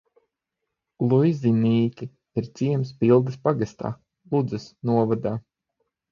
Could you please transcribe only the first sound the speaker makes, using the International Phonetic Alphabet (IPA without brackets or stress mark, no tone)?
lˠ